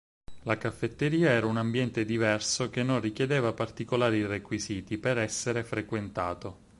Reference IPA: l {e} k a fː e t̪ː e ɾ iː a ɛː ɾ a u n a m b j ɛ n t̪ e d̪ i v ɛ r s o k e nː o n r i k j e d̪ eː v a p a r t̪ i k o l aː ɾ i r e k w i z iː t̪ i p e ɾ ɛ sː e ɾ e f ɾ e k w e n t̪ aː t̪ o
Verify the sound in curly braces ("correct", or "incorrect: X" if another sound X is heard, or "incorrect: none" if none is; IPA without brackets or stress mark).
incorrect: a